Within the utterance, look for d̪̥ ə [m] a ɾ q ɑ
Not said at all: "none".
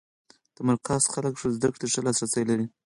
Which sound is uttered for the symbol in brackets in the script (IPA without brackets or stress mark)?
m